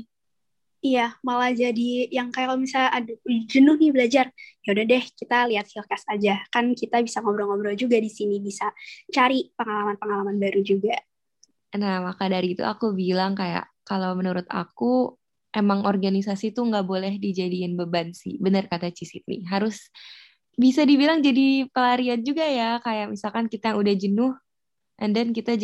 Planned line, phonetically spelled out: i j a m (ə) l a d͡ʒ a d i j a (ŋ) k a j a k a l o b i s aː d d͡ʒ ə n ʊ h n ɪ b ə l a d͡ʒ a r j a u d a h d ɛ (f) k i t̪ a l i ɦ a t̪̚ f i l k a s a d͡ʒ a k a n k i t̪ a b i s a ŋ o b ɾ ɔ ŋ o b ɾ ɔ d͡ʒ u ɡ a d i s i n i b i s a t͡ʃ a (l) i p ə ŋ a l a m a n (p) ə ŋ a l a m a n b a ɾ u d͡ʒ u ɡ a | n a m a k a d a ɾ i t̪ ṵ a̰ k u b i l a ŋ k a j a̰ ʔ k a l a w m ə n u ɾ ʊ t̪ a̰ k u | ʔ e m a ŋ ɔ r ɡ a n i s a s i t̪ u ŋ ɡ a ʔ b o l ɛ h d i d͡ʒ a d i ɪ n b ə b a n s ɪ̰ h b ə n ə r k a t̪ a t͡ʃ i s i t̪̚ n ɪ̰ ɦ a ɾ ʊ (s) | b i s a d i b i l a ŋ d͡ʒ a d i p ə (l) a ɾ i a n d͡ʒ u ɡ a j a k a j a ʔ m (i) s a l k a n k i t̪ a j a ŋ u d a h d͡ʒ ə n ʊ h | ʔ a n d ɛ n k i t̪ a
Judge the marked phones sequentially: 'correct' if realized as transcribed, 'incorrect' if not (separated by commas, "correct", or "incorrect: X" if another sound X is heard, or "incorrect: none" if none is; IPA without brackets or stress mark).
incorrect: a, correct, incorrect: h, incorrect: ɾ, correct, correct, correct, correct